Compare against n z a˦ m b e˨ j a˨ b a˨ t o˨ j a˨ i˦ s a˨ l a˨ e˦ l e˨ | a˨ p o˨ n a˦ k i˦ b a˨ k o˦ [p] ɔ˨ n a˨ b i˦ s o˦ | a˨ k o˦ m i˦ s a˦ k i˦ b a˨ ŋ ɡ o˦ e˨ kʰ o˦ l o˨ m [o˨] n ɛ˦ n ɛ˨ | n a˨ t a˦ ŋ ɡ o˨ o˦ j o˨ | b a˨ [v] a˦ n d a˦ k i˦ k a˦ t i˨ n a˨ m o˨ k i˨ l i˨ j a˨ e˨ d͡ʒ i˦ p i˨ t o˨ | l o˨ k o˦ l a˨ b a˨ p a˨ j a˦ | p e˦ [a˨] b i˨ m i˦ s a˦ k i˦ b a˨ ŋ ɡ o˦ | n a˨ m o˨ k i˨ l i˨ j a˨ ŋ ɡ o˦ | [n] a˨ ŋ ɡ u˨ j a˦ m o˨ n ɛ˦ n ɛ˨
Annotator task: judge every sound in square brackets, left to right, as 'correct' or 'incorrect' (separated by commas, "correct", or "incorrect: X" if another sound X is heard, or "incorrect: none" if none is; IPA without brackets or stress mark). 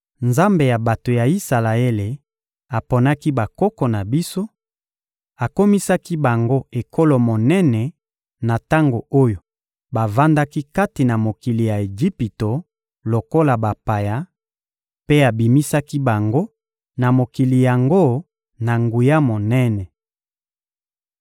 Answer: incorrect: k, correct, correct, correct, correct